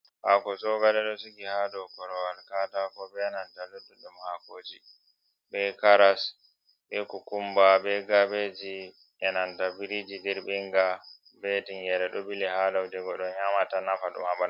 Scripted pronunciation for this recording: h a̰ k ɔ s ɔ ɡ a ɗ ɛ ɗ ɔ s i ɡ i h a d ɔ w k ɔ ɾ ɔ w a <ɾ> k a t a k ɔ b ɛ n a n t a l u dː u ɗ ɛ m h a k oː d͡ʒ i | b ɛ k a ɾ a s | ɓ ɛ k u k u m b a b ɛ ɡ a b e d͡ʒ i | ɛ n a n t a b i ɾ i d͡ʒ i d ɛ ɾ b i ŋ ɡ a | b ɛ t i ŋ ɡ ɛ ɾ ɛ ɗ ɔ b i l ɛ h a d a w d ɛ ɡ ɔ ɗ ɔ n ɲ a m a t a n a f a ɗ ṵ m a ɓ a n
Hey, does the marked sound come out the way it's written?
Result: no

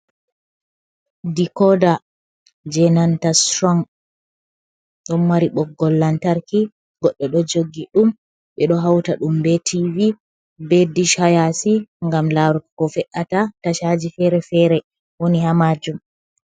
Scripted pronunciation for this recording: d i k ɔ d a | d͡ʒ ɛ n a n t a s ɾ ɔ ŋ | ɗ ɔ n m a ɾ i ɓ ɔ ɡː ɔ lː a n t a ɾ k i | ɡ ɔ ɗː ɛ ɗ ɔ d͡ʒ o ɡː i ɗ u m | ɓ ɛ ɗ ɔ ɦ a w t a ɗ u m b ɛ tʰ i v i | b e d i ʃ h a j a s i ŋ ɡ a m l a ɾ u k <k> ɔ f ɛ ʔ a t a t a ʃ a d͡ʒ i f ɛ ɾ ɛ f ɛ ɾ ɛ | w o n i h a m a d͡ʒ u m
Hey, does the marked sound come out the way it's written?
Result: yes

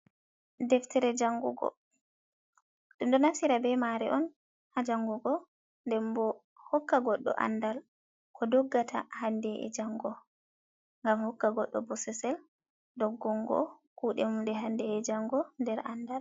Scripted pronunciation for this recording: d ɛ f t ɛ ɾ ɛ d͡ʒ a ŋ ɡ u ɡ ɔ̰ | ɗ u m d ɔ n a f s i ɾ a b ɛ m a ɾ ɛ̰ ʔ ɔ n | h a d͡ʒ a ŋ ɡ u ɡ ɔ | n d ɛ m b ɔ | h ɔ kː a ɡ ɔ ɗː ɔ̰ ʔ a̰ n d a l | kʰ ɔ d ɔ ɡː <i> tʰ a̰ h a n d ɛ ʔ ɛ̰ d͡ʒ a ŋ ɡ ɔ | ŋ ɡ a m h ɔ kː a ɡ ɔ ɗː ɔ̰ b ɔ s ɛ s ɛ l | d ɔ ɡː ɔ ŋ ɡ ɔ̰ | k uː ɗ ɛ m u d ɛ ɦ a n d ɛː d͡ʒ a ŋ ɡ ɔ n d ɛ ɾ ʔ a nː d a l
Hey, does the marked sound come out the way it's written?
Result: no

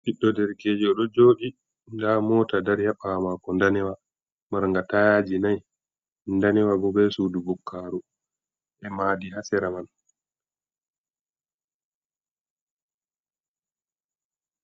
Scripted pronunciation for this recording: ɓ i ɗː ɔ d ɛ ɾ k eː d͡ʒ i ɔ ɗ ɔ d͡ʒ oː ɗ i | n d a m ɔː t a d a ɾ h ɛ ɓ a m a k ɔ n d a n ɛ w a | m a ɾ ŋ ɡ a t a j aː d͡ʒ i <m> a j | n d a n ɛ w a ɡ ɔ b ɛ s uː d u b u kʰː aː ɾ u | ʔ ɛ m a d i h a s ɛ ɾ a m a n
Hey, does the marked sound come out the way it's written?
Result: no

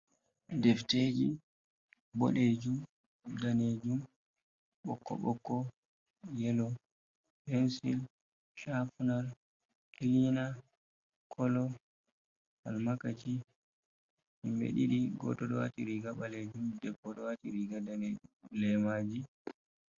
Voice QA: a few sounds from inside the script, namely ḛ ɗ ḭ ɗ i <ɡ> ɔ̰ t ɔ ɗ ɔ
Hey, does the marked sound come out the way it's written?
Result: yes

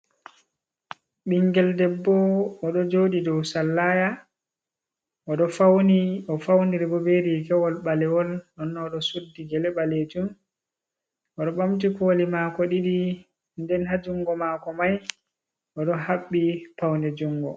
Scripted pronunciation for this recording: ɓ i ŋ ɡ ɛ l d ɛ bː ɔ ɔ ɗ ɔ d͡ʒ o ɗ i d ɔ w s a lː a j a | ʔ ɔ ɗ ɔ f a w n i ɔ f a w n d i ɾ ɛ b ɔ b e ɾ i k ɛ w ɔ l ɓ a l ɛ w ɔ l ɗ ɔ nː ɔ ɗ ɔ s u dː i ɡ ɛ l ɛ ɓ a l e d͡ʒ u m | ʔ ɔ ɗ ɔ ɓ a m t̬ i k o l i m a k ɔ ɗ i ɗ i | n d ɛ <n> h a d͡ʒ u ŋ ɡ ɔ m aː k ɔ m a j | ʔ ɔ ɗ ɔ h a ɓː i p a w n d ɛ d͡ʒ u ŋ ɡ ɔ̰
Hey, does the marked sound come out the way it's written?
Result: yes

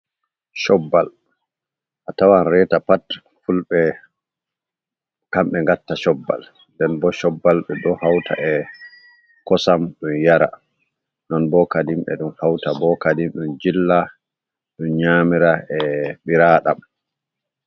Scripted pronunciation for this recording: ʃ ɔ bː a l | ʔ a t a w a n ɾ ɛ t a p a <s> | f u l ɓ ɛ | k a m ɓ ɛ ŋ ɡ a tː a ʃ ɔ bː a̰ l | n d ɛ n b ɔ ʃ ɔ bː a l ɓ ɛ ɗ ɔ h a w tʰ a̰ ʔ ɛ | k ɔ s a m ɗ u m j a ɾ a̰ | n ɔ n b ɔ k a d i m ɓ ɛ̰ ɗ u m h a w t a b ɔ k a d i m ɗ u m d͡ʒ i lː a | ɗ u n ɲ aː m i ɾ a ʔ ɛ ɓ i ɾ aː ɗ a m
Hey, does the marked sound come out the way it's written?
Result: no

